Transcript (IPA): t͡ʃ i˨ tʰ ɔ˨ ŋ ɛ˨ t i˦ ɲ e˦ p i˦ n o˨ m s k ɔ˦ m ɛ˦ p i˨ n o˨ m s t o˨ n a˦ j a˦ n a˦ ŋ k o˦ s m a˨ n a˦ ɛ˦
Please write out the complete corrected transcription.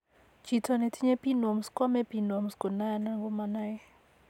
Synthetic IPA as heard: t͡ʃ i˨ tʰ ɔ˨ n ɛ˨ t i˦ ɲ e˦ p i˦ n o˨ m s k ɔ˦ m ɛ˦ p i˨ n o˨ m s k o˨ n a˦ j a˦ n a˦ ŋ ɡ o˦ m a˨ n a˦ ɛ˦